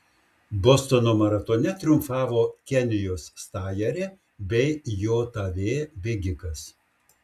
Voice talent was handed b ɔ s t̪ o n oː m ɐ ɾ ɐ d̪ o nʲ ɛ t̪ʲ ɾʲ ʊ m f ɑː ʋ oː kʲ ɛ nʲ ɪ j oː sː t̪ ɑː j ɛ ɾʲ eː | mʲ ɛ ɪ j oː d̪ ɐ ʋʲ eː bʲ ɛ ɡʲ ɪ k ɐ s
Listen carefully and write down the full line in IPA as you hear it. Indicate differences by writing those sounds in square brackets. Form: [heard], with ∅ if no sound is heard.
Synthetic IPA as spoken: b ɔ s t̪ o n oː m ɐ ɾ ɐ [t̪] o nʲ ɛ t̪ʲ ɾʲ ʊ m f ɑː ʋ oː kʲ ɛ nʲ ɪ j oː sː t̪ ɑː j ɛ ɾʲ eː | [bʲ] ɛ ɪ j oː [t̪] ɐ ʋʲ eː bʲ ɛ ɡʲ ɪ k ɐ s

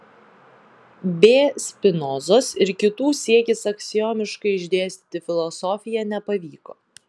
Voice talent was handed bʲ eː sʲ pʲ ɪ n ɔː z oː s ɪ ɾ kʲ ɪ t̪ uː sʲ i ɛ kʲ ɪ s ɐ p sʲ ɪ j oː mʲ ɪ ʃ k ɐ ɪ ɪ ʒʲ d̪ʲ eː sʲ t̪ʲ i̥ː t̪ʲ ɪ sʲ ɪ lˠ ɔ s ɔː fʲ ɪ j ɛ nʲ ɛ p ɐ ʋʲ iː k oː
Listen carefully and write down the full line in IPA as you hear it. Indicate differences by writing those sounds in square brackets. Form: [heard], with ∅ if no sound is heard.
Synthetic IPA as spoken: bʲ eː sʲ pʲ ɪ n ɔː z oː s ɪ ɾ kʲ ɪ t̪ uː sʲ i ɛ kʲ ɪ s ɐ [k] sʲ ɪ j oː mʲ ɪ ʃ k ɐ ɪ ɪ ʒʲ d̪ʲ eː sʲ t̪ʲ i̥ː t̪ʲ ɪ [fʲ] ɪ lˠ ɔ s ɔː fʲ ɪ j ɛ nʲ ɛ p ɐ ʋʲ iː k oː

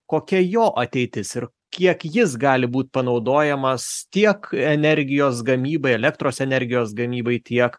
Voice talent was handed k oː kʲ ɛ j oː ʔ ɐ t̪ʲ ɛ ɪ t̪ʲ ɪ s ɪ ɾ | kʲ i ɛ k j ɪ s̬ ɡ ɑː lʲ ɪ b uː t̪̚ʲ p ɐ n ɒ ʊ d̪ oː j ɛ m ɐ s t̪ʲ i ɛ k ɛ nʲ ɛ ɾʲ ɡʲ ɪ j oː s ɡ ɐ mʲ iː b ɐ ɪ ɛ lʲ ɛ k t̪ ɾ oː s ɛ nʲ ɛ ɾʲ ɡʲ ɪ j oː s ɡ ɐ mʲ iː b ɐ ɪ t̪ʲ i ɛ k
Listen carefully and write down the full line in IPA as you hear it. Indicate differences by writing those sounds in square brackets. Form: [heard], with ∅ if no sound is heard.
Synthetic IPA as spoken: k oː kʲ ɛ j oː ʔ ɐ t̪ʲ ɛ ɪ t̪ʲ ɪ s ɪ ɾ | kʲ i ɛ k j ɪ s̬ ɡ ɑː lʲ ɪ b uː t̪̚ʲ p ɐ n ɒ ʊ d̪ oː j ɛ m ɐ s t̪ʲ i ɛ k ɛ nʲ ɛ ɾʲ ɡʲ ɪ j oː s ɡ ɐ mʲ iː b ɐ ɪ ɛ lʲ ɛ k t̪ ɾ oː s ɛ nʲ ɛ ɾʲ ɡʲ ɪ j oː s ɡ ɐ mʲ iː b ɐ ɪ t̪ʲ i ɛ k

